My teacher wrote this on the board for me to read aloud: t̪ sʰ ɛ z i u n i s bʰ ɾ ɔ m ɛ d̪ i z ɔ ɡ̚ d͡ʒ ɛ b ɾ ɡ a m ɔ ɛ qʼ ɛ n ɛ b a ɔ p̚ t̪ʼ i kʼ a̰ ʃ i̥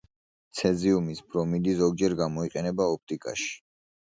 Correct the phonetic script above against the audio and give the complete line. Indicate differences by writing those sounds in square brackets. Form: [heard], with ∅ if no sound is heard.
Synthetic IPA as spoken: t̪ sʰ ɛ z i u [m] i s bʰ ɾ ɔ m [i] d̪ i z ɔ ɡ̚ d͡ʒ ɛ [∅] ɾ ɡ a m ɔ [i] qʼ ɛ n ɛ b a ɔ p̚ t̪ʼ i kʼ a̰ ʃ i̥